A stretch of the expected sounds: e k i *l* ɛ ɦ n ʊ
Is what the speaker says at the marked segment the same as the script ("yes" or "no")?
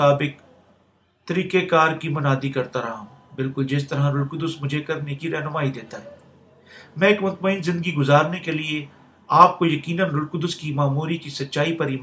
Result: no